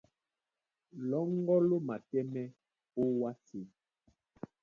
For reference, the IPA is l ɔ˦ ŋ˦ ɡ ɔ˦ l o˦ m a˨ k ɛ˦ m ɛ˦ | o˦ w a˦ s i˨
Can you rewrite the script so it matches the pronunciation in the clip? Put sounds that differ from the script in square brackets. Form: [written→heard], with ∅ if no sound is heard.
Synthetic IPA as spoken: l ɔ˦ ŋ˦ ɡ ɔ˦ l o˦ m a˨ [k→t] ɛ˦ m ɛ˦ | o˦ w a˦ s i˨